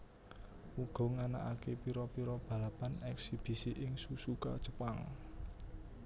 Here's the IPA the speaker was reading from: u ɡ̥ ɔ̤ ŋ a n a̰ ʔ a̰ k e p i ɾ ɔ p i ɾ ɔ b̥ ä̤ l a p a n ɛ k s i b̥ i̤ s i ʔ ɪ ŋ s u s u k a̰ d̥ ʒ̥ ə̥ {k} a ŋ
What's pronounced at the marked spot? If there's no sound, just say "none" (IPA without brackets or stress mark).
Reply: p